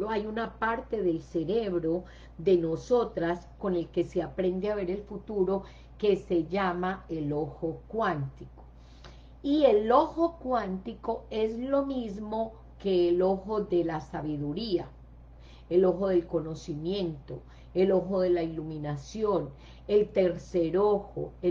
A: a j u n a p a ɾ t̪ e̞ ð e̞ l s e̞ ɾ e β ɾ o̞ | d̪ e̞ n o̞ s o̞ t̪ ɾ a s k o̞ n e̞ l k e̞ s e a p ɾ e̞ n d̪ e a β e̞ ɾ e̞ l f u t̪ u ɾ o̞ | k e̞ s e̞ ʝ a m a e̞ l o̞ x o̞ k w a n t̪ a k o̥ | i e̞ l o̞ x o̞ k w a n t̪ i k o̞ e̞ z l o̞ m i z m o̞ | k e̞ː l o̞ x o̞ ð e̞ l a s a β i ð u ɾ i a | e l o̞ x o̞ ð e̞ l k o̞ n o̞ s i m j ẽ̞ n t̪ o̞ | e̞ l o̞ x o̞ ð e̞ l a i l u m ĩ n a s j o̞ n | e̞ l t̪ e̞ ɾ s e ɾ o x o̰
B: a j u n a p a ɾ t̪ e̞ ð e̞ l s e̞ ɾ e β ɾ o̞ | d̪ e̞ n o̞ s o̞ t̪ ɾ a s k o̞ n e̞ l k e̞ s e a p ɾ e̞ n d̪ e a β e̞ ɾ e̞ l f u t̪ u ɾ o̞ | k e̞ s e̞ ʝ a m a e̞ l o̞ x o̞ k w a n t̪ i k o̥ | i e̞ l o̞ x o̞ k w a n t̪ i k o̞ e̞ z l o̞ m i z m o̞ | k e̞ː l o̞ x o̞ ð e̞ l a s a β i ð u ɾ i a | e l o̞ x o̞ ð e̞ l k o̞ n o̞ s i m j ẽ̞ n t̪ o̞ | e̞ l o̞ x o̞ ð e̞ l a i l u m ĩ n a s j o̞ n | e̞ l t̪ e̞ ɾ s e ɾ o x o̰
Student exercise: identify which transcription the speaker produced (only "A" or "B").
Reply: B